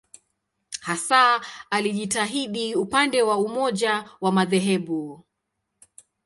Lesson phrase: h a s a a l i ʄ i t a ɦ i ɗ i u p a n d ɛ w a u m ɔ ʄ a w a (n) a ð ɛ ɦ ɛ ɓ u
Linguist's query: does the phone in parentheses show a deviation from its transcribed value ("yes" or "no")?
yes